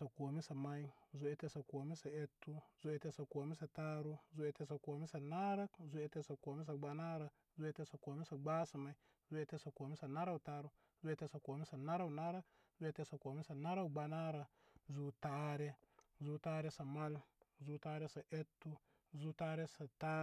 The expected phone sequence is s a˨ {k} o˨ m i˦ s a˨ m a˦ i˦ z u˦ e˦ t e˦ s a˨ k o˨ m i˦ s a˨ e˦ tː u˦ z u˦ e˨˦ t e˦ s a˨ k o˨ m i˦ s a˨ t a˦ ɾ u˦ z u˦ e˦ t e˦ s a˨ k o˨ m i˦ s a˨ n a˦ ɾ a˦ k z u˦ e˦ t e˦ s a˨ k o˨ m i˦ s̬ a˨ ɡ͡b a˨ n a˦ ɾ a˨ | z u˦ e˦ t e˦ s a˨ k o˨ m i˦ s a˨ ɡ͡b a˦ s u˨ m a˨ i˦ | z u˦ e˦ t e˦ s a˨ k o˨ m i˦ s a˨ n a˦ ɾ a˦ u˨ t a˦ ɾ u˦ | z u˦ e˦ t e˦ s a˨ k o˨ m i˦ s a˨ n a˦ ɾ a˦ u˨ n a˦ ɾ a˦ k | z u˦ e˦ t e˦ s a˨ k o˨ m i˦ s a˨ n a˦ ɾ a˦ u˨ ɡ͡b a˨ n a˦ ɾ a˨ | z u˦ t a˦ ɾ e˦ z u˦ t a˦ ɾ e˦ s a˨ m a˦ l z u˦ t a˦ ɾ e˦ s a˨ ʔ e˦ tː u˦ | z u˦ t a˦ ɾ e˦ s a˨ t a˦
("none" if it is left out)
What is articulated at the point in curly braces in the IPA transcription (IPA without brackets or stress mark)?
k